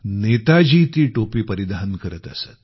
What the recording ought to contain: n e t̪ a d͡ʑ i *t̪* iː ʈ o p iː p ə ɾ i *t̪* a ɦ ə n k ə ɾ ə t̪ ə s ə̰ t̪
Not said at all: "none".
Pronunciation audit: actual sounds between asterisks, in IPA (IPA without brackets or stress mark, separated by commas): t̪, d̪